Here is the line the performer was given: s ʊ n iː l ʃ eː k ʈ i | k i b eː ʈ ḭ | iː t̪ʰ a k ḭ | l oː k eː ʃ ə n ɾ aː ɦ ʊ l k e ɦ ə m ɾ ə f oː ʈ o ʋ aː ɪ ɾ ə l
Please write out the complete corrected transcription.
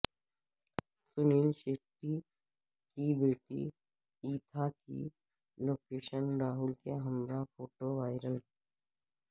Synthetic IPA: s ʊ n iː l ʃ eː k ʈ i | k i b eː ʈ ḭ | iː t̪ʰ a k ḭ | l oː k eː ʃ ə n ɾ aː ɦ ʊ l k e ɦ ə m ɾ a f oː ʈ o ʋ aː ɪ ɾ ə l